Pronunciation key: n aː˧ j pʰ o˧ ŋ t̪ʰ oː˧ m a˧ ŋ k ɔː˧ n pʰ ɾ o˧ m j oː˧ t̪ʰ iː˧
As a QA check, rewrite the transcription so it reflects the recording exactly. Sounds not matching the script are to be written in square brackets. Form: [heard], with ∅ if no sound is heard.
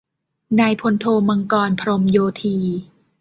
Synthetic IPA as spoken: n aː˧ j pʰ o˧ [n] t̪ʰ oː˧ m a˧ ŋ k ɔː˧ n pʰ ɾ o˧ m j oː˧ t̪ʰ iː˧